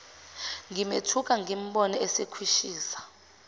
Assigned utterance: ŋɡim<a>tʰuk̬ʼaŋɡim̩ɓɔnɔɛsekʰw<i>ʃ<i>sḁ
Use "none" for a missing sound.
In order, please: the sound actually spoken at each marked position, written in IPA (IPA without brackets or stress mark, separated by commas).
e, i, iː